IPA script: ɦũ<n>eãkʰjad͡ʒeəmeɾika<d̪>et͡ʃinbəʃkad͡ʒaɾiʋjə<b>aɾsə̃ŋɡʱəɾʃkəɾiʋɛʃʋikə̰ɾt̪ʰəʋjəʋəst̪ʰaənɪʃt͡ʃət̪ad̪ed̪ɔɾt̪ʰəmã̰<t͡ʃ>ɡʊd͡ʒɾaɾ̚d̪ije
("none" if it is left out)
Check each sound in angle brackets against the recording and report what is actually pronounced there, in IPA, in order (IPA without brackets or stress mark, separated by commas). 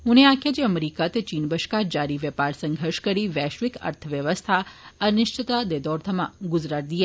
n, t̪, p, none